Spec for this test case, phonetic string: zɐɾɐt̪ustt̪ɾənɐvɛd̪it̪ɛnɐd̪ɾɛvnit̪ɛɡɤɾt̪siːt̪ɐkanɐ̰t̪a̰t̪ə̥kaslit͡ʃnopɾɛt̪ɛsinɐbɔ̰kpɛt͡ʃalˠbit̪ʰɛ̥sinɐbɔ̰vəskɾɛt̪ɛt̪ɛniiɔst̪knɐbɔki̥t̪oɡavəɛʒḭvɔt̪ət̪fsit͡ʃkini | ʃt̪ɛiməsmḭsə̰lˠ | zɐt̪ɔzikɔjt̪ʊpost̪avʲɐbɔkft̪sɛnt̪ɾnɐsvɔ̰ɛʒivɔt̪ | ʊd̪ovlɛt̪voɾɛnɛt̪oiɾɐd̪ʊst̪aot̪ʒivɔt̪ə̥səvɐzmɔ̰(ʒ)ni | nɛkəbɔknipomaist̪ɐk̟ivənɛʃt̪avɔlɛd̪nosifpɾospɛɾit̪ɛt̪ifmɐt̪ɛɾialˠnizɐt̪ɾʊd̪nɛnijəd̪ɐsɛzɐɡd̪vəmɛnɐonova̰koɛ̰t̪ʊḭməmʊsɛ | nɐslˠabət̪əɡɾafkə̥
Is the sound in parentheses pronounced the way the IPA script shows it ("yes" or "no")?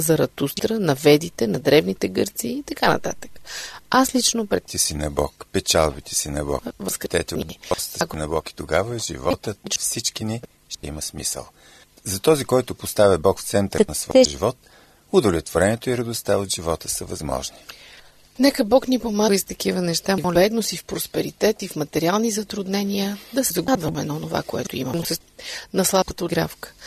yes